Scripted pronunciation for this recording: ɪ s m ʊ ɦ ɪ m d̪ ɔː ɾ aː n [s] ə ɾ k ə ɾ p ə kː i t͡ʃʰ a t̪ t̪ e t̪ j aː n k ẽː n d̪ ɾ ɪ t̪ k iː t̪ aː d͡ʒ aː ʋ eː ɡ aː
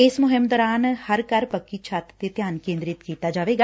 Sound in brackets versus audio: incorrect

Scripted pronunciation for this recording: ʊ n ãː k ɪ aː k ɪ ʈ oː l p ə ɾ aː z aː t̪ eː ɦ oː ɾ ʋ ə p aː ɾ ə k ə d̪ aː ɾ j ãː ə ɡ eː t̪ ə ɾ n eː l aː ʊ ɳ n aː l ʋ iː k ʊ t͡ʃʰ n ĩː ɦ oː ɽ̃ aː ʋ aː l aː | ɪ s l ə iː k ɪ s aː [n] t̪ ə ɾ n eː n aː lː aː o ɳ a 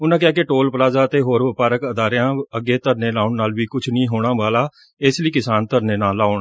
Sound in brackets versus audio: correct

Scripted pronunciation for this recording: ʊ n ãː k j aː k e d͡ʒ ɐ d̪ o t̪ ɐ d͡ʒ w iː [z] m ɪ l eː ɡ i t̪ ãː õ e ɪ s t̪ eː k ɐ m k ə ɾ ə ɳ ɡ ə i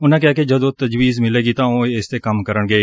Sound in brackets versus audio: correct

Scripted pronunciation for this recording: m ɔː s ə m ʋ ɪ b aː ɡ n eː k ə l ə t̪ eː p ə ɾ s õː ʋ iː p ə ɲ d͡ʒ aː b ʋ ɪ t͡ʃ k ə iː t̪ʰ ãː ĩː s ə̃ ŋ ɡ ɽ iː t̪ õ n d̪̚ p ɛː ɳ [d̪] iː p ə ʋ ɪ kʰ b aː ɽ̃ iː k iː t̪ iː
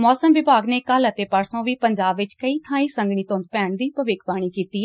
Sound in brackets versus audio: correct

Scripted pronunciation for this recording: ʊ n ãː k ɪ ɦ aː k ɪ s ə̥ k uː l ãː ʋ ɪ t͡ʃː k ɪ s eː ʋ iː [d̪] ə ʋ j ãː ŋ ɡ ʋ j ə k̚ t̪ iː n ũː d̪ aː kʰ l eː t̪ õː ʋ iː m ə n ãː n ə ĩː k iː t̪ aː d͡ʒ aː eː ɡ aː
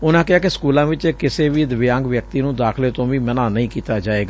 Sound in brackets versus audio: correct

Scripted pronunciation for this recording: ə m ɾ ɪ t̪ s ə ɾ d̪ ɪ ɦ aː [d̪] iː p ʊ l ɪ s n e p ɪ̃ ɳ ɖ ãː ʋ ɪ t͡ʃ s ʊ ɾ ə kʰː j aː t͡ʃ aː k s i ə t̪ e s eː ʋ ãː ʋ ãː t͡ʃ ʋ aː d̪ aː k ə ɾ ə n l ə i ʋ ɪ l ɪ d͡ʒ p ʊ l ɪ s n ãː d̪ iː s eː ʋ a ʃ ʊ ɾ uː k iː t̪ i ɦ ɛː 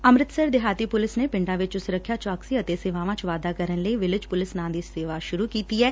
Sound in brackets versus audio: incorrect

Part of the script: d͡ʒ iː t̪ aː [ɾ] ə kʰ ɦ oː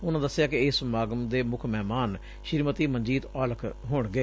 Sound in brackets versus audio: incorrect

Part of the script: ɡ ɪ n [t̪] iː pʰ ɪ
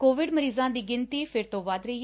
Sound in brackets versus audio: correct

